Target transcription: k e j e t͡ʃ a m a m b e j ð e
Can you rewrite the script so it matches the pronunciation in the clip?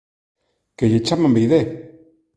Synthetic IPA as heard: k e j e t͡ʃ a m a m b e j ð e